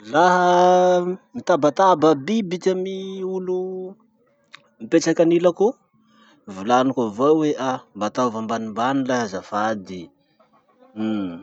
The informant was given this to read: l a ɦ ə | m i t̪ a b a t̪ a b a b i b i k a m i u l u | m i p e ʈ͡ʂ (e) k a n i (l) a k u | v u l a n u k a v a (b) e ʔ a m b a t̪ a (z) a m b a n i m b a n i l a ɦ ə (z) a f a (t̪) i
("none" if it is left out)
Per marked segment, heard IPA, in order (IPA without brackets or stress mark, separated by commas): a, l, w, v, z, d̪